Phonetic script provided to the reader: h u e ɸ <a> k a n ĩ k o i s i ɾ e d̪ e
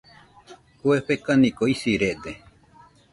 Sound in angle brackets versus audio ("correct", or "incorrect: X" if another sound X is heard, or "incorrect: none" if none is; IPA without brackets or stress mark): incorrect: e